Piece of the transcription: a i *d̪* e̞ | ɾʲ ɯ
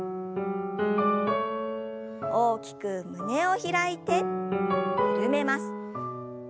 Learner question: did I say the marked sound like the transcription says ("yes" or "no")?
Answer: no